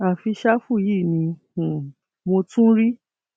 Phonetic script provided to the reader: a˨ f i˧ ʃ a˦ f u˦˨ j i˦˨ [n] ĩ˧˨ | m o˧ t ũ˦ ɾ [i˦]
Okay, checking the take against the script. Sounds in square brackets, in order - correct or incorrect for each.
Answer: correct, correct

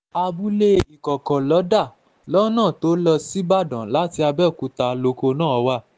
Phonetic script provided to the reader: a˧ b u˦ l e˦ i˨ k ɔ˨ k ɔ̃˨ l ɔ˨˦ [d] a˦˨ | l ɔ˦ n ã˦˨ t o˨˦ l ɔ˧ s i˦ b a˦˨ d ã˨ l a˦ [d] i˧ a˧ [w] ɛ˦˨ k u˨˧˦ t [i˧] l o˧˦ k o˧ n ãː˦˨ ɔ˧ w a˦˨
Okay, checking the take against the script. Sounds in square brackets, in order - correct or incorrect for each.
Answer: correct, incorrect, incorrect, incorrect

